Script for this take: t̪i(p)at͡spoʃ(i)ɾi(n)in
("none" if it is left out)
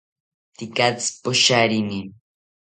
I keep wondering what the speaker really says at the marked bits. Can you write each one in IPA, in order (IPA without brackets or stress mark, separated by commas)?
k, a, n